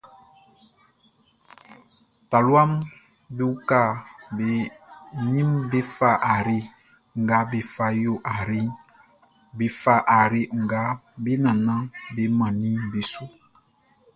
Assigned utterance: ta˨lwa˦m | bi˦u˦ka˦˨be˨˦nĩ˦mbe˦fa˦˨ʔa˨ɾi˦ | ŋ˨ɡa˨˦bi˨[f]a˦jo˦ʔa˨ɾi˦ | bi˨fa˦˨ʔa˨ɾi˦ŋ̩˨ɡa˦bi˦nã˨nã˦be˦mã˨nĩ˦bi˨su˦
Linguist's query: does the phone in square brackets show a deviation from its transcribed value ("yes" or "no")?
no